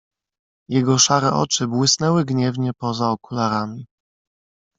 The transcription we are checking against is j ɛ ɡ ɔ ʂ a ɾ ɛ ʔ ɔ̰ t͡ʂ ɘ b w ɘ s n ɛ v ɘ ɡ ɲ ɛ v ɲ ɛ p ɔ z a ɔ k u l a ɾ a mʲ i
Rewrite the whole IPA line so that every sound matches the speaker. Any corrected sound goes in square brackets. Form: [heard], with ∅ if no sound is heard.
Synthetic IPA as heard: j ɛ ɡ ɔ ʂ a ɾ ɛ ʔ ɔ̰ t͡ʂ ɘ b w ɘ s n ɛ [w] ɘ ɡ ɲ ɛ v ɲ ɛ p ɔ z a ɔ k u l a ɾ a mʲ i